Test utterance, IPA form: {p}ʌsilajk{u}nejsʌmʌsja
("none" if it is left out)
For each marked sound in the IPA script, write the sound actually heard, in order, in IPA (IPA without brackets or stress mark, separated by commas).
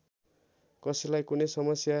k, u